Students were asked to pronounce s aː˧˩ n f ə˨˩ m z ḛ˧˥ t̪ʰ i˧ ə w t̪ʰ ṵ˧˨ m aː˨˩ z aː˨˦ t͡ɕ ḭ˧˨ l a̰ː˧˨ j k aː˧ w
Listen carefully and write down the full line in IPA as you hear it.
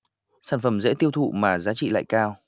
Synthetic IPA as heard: s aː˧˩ n f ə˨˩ m z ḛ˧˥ t̪ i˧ ə w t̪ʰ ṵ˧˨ m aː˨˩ z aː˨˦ t͡ɕ ḭ˧˨ l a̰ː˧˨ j k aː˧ w